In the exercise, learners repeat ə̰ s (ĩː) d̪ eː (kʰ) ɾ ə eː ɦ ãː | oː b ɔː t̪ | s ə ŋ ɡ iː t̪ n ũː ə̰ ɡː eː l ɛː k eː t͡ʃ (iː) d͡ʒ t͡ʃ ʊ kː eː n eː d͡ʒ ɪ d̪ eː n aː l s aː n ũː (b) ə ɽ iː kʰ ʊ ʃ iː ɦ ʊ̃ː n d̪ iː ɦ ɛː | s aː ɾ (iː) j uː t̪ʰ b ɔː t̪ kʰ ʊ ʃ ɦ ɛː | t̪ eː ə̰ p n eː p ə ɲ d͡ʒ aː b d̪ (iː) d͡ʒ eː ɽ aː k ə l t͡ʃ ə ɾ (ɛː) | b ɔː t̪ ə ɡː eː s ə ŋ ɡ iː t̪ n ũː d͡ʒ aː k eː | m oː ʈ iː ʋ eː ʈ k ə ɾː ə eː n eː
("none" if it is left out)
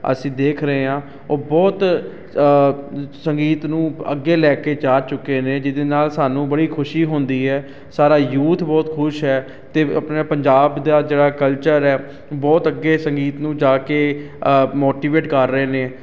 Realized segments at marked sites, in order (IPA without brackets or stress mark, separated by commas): ĩː, kʰ, aː, b, aː, aː, ɛː